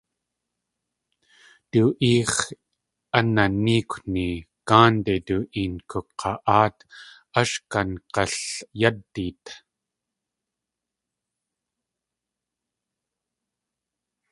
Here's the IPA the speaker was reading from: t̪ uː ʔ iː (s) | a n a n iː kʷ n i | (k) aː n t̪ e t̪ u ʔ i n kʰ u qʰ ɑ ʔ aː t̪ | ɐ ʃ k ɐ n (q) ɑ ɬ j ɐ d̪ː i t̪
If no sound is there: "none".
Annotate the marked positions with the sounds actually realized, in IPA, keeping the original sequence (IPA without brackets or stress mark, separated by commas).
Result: χ, k, q